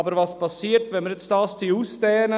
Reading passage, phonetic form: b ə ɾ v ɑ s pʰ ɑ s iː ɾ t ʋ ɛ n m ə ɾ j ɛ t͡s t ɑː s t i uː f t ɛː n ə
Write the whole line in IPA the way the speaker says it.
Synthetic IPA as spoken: b ə ɾ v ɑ s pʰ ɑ s iː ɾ t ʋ ɛ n m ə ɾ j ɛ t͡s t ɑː s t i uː s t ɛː n ə